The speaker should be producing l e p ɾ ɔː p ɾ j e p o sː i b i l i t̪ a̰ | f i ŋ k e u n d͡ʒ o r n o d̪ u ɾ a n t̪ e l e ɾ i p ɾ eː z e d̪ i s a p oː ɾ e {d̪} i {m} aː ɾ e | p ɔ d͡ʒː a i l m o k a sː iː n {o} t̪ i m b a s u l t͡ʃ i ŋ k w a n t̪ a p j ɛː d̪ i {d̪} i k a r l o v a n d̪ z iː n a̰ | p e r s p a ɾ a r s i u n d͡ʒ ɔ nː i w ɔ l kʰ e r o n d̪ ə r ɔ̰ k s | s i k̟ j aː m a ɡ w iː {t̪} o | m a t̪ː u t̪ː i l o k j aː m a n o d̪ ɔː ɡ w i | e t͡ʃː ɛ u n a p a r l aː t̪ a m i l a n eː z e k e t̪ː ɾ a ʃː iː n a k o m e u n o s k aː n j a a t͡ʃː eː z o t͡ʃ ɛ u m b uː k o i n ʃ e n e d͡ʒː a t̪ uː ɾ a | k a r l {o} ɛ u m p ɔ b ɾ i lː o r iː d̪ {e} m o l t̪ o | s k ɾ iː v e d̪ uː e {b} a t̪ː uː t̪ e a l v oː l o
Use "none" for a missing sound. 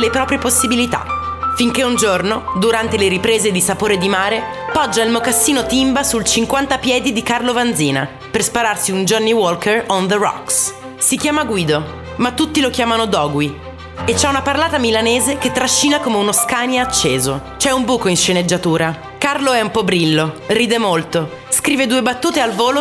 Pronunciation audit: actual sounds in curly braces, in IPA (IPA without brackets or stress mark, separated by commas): d̪, m, o, d̪, d̪, o, e, b